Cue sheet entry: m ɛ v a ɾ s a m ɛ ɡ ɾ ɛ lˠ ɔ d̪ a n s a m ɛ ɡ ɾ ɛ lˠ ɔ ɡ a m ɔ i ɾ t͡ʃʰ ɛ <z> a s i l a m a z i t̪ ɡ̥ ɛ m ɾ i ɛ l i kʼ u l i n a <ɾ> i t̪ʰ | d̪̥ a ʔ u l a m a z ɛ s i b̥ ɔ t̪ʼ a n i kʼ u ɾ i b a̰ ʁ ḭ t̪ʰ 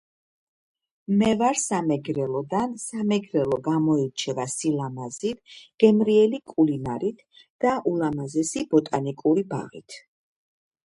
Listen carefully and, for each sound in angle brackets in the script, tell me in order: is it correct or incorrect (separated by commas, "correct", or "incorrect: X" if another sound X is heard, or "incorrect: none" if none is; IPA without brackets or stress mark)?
incorrect: v, correct